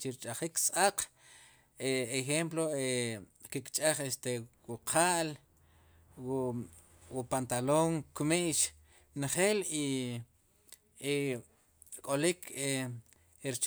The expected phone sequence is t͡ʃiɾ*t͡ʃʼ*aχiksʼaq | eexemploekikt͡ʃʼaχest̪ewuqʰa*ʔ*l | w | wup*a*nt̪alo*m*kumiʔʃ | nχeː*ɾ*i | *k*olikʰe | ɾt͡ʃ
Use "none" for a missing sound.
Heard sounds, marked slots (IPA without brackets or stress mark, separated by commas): t͡ʃʼ, ʔ, a, ŋ, l, kʼ